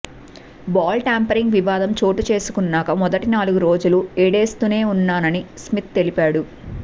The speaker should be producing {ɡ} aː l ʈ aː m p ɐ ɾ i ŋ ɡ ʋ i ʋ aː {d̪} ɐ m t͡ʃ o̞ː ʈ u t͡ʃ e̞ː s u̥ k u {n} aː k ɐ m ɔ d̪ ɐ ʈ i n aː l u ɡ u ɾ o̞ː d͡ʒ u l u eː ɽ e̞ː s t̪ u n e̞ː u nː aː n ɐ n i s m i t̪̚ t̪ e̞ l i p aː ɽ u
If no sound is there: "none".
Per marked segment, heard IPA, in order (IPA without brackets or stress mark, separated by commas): b, d̪, nː